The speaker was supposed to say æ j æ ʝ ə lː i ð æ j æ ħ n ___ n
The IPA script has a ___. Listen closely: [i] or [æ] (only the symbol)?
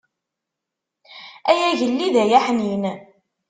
i